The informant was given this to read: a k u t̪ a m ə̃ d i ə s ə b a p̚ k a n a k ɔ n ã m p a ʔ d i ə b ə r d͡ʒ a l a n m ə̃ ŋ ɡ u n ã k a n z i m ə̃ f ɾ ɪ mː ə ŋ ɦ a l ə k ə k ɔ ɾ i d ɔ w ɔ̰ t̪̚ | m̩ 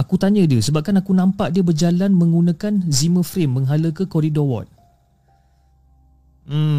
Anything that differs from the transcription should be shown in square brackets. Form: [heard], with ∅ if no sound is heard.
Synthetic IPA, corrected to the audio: a k u t̪ a [ɲ] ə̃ d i ə s ə b a p̚ k a n a k [u] n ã m p a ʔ d i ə b ə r d͡ʒ a l a n m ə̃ ŋ ɡ u n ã k a n z i m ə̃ f ɾ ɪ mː ə ŋ ɦ a l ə k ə k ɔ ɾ i d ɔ w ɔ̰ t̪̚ | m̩